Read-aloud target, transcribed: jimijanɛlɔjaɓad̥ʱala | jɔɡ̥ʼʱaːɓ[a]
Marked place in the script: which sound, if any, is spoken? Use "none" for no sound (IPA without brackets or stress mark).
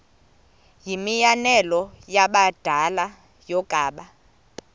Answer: a